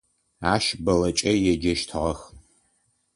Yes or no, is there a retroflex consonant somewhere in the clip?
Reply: no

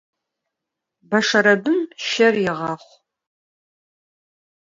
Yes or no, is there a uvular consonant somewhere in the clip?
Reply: yes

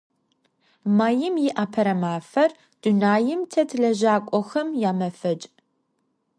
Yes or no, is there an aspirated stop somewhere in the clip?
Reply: yes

